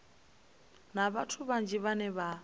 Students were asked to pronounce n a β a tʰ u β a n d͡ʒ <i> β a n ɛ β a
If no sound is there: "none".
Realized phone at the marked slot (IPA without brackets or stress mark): i